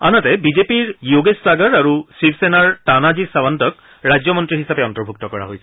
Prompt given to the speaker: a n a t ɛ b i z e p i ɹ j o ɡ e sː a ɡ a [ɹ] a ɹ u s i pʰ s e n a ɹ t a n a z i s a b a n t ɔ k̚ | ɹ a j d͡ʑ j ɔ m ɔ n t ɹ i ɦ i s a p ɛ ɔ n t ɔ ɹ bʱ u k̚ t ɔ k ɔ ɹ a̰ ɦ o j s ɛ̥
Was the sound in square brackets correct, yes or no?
yes